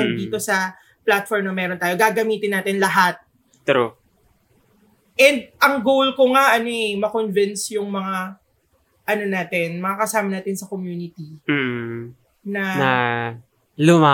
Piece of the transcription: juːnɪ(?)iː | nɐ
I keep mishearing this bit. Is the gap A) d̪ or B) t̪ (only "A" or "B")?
B